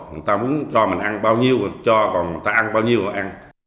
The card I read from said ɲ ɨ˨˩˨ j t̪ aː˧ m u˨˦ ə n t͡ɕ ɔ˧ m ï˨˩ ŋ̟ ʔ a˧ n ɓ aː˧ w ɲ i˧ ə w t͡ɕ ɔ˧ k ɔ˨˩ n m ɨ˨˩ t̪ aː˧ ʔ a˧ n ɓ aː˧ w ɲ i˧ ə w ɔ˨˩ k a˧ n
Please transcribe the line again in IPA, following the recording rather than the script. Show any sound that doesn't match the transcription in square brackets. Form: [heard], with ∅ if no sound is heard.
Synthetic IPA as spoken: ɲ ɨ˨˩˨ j t̪ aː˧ m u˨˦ ə n t͡ɕ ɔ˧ m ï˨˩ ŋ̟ ʔ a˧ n ɓ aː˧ w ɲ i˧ ə w t͡ɕ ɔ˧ k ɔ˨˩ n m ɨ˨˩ t̪ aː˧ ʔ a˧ n ɓ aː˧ w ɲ i˧ ə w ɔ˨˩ [ʔ] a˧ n